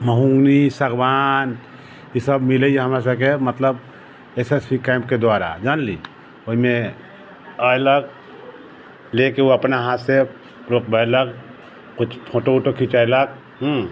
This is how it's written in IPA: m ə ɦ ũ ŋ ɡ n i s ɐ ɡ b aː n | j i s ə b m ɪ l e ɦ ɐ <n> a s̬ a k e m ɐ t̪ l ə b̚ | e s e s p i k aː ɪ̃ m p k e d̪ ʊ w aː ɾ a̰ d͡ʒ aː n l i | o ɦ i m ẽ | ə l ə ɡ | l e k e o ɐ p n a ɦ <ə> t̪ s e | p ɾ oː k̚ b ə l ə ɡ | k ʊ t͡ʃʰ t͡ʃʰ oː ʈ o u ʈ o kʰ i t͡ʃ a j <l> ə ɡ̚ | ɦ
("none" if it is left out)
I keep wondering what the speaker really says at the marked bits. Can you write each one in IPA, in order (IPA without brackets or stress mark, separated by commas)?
m, a, l